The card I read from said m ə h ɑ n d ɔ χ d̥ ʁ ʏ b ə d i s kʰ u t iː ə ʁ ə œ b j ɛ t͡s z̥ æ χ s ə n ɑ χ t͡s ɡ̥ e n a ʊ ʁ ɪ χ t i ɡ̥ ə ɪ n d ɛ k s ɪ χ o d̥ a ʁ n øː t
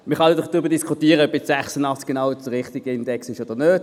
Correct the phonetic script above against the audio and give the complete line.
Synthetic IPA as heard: m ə χ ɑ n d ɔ χ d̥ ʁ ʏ b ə d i s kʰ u t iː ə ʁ ə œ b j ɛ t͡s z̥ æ χ s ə n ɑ χ t͡s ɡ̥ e n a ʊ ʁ ɪ χ t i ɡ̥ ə ɪ n d ɛ k s ɪ ʃ o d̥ ə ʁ n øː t